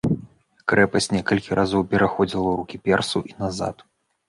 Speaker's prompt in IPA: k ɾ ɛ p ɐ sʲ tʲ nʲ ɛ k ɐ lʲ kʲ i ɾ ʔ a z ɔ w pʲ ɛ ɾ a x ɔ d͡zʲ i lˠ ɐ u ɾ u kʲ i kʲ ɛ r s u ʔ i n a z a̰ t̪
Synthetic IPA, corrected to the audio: k ɾ ɛ p ɐ sʲ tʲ nʲ ɛ k ɐ lʲ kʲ i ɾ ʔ a z ɔ w pʲ ɛ ɾ a x ɔ d͡zʲ i lˠ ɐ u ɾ u kʲ i pʲ ɛ r s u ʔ i n a z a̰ t̪